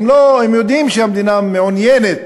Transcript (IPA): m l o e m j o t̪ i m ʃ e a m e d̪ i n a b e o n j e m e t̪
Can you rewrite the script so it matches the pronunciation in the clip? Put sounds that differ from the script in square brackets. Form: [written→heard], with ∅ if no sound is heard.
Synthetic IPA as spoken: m l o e m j o [t̪→d̪] i m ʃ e a m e d̪ i n a [b→m] e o n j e [m→n] e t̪